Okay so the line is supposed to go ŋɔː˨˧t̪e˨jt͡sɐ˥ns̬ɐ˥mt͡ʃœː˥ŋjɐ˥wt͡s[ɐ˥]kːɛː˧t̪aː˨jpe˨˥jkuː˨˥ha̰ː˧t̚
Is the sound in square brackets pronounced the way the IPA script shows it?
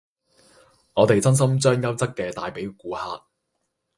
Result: yes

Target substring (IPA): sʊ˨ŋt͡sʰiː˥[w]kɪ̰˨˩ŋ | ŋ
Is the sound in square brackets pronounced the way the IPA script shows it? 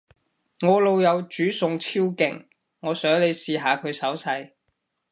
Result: yes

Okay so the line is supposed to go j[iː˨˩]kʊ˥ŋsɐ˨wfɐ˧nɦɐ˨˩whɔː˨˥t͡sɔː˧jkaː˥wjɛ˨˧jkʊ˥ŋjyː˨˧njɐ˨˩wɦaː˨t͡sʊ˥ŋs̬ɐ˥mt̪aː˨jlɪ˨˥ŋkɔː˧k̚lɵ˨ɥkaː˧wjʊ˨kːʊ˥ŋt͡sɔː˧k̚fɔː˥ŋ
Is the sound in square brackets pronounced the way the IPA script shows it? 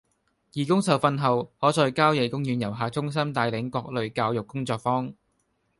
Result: yes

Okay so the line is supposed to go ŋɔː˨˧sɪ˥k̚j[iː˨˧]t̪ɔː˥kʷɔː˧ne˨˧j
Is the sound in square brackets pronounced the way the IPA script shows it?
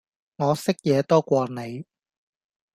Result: no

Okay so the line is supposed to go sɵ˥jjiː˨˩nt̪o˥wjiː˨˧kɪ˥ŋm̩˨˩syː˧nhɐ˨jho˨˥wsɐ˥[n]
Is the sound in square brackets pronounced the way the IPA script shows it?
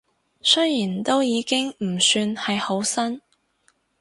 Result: yes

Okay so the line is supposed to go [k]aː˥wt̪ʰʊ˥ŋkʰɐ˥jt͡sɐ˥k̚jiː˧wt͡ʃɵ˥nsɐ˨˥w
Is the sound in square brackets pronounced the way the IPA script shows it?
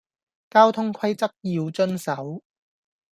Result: yes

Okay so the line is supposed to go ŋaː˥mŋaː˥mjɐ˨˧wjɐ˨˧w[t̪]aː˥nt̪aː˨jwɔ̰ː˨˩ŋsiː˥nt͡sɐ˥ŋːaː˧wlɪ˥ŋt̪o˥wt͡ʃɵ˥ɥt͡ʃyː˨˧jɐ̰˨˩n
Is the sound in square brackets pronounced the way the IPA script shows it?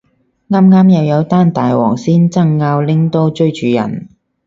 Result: yes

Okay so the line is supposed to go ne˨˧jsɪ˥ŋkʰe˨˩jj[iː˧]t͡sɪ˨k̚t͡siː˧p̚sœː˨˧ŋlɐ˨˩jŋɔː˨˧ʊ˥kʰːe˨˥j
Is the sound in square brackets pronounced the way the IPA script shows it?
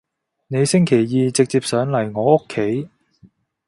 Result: yes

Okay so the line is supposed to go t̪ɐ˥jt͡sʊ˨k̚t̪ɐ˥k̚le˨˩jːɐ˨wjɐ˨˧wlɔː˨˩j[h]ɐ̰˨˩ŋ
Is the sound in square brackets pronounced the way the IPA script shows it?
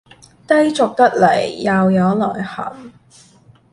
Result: yes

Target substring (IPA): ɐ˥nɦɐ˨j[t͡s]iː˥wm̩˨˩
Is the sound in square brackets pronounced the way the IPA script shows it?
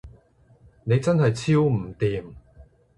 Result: no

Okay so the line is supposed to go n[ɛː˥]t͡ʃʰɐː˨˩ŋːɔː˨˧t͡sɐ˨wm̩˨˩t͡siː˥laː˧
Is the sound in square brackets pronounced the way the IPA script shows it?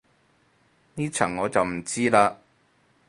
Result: no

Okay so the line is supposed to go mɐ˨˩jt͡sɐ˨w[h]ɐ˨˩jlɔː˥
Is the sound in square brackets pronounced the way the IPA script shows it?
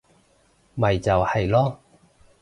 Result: yes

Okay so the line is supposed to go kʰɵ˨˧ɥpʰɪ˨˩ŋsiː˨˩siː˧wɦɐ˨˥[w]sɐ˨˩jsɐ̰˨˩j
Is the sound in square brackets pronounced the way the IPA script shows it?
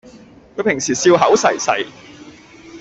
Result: yes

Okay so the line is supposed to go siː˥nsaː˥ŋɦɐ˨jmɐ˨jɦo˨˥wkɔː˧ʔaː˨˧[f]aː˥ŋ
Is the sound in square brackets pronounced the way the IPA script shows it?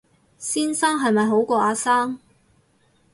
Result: no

